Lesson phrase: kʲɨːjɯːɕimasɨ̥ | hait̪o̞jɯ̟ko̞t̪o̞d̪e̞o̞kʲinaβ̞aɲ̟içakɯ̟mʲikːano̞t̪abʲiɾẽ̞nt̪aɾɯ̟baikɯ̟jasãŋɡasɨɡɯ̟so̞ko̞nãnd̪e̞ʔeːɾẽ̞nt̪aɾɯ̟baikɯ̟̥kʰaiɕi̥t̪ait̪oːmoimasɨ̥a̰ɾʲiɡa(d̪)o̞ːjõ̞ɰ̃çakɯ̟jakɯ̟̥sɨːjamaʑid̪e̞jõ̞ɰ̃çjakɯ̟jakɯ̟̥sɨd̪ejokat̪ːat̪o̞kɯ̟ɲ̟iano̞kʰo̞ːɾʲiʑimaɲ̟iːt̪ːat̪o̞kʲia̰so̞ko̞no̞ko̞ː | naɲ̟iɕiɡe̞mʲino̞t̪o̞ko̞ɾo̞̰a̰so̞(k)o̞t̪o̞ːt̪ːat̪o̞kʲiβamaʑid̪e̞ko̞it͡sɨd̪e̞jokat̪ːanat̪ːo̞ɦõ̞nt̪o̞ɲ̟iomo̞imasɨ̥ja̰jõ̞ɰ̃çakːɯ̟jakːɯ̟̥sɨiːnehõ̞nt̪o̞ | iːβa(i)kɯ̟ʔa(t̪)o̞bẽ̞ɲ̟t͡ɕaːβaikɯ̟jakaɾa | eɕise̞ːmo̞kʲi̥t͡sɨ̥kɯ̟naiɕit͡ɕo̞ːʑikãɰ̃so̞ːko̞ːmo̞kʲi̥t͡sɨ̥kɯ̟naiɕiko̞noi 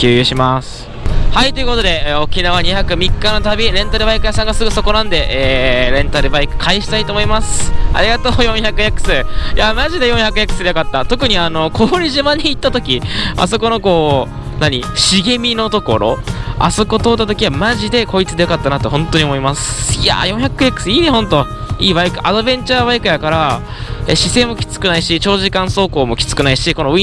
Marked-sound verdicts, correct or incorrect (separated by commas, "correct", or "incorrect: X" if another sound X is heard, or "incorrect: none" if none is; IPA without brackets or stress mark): incorrect: t̪, correct, correct, incorrect: d̪